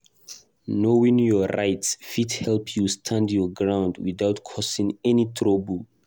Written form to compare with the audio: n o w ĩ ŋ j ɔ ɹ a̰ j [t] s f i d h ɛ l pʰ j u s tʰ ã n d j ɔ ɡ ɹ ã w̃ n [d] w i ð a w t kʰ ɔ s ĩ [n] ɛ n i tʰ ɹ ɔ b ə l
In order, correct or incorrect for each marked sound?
correct, correct, incorrect: ŋ

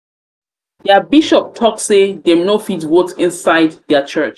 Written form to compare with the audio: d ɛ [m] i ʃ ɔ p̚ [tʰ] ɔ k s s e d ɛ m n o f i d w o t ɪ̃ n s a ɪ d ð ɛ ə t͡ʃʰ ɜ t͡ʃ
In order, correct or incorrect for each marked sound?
incorrect: b, correct

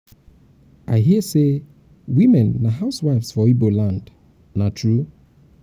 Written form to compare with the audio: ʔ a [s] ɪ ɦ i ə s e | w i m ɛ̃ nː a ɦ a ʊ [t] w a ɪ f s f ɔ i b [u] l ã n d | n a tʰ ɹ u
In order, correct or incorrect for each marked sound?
incorrect: none, incorrect: s, incorrect: o

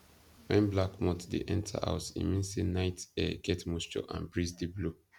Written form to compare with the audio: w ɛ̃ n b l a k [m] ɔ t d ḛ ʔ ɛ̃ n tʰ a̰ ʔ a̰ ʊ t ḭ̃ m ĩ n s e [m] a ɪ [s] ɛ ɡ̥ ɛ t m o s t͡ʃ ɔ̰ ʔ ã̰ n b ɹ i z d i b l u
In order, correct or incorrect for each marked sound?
correct, incorrect: n, incorrect: t

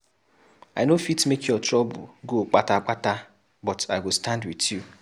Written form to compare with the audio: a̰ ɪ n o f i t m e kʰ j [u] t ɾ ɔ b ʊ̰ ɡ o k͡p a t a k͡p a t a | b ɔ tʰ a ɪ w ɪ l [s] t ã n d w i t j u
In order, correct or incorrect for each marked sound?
incorrect: ɔ, correct

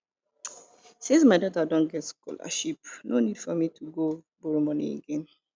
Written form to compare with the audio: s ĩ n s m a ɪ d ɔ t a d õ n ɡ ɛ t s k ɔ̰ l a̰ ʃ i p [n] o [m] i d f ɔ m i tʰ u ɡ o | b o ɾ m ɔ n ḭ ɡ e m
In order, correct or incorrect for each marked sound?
correct, incorrect: n

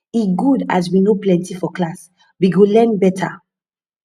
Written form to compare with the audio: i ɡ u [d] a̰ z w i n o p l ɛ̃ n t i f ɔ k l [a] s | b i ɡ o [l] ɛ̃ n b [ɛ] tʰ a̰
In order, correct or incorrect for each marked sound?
correct, correct, correct, correct

